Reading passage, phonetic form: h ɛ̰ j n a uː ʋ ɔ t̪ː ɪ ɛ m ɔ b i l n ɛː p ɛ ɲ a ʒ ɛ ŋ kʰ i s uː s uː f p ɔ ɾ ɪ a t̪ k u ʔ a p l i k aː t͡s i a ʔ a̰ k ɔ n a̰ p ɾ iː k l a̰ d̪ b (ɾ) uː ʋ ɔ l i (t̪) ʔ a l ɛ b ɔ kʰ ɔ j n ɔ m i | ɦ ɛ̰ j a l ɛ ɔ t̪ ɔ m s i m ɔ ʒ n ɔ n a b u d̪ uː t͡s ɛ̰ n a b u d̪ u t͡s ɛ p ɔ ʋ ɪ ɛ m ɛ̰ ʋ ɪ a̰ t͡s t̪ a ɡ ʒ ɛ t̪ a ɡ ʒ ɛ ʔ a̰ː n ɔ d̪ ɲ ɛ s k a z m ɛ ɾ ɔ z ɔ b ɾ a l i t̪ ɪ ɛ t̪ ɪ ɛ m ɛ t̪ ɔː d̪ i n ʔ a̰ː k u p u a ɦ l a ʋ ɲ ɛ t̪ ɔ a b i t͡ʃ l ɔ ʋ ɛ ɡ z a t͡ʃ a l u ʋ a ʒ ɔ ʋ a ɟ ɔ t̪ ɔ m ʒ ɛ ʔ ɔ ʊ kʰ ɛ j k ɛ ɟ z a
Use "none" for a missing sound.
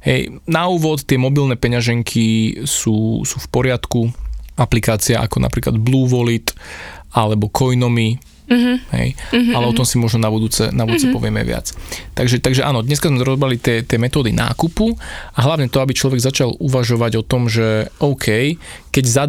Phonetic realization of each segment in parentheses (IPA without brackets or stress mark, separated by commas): l, t̪